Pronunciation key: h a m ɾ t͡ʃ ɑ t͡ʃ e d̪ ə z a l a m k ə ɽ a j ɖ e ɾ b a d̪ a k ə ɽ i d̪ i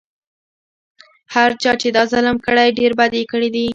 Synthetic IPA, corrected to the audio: h a ɾ t͡ʃ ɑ t͡ʃ e d̪ ɑ z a l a m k ə ɽ a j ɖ e ɾ b a d̪ e k ə ɽ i d̪ i